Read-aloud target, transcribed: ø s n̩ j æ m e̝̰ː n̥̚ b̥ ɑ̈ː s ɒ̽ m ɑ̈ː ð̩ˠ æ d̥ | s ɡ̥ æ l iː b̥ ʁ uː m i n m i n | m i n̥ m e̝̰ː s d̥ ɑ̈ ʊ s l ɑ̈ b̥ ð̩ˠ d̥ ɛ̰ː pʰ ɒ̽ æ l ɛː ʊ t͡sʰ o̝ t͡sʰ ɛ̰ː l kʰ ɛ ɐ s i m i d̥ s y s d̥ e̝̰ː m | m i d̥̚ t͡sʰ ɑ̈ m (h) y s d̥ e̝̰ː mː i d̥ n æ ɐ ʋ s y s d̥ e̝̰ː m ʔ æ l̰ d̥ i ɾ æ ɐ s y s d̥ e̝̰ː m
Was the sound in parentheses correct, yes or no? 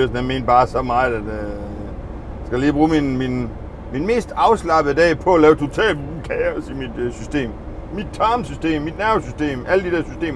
no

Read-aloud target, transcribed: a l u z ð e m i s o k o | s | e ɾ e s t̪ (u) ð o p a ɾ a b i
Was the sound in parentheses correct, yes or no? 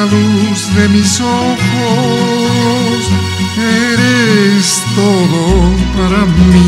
no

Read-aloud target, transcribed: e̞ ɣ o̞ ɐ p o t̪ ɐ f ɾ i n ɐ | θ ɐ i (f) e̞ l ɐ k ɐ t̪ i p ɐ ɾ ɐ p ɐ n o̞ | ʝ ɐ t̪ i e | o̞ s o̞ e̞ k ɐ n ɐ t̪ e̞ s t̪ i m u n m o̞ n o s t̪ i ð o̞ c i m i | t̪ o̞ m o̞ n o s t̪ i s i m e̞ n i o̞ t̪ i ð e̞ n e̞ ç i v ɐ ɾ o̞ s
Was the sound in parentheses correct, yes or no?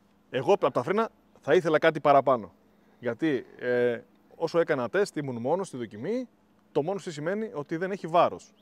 no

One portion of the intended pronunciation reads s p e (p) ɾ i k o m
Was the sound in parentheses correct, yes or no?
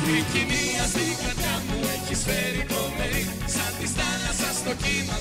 no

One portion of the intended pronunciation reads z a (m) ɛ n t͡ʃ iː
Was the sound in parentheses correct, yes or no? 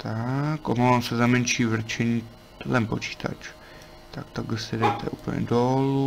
yes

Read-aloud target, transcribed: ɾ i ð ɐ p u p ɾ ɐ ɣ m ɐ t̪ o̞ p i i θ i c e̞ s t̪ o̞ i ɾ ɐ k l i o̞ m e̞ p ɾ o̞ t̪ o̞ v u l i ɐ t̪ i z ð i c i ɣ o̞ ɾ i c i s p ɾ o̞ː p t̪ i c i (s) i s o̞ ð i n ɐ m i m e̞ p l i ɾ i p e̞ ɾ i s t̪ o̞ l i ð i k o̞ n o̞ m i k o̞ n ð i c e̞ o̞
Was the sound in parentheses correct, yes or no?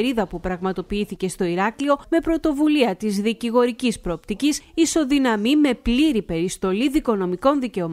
yes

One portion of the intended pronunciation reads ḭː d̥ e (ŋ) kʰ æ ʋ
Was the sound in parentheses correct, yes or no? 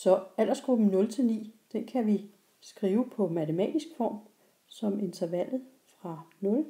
no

